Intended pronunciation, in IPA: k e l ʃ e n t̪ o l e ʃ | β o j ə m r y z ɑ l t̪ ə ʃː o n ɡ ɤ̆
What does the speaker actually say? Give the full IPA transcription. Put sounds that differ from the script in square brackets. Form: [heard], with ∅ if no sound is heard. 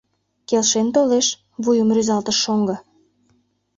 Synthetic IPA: k e l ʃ e n t̪ o l e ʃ | β [u] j ə m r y z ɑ l t̪ ə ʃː o [ŋ] ɡ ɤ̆